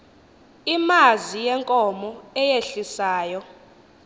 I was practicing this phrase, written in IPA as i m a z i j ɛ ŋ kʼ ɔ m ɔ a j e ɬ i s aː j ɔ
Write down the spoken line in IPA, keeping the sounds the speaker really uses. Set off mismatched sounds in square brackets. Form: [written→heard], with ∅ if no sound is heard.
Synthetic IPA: i m a z i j ɛ ŋ kʼ ɔ m ɔ [a→ɛ] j e ɬ i s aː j ɔ